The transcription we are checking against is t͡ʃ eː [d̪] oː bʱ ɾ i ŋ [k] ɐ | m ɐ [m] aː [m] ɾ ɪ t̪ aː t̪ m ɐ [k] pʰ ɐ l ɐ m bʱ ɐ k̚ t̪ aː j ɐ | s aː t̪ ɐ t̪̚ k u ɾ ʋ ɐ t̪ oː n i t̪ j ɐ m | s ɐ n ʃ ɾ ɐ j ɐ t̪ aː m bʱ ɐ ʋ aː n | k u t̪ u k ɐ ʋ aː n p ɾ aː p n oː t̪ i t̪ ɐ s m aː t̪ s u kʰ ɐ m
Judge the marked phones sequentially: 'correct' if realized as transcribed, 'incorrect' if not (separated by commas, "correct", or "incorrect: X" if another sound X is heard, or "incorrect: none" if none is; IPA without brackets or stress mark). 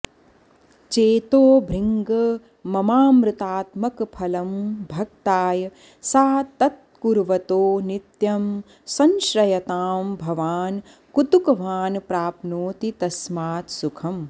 incorrect: t̪, incorrect: ɡ, correct, correct, correct